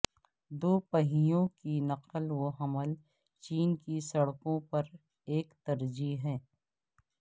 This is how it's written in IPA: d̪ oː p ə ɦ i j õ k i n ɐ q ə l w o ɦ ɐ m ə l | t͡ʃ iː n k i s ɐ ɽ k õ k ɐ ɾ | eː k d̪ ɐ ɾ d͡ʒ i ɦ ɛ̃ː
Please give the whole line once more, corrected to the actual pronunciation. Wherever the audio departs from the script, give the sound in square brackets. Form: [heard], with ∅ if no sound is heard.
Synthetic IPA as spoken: d̪ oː p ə ɦ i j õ k i n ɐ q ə l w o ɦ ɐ m ə l | t͡ʃ iː n k i s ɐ ɽ k õ [p] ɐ ɾ | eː k [t̪] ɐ ɾ d͡ʒ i ɦ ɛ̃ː